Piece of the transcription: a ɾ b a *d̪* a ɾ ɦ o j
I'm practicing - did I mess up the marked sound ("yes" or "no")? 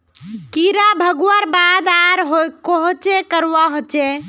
no